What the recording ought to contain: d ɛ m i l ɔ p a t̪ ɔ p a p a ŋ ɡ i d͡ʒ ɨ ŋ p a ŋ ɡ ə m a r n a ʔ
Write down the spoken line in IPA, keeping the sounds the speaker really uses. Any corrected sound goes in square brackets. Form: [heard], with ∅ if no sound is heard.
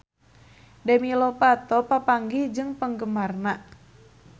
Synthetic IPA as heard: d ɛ m i l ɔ p a t̪ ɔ p a p a ŋ ɡ i d͡ʒ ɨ ŋ p [ə] ŋ ɡ ə m a r n a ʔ